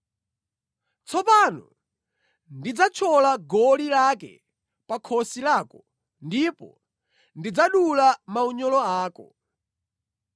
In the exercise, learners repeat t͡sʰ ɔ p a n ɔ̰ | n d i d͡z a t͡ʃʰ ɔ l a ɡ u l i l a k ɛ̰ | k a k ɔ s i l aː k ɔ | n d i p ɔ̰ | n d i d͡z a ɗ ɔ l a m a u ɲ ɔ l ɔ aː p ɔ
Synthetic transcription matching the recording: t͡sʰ ɔ p a n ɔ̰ | n d i d͡z a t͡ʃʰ ɔ l a ɡ ɔ l i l a k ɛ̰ | p a kʰ ɔ s i l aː k ɔ | n d i p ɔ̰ | n d i d͡z a ɗ u l a m a u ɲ ɔ l ɔ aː k ɔ